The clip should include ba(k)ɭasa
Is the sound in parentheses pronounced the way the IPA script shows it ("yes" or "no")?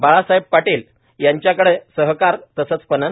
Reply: no